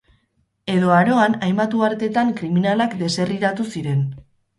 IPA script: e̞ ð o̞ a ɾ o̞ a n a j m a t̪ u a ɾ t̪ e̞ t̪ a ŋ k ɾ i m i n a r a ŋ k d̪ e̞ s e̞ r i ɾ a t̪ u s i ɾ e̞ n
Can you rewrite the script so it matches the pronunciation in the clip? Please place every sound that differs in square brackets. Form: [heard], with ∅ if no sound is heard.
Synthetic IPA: e̞ ð o̞ a ɾ o̞ a n a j m a t̪ u a ɾ t̪ e̞ t̪ a ŋ k ɾ i m i n a [l] a [∅] k d̪ e̞ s e̞ r i ɾ a t̪ u s i ɾ e̞ n